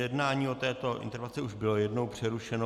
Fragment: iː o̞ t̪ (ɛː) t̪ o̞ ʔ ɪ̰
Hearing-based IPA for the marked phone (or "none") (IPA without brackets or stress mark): ɛː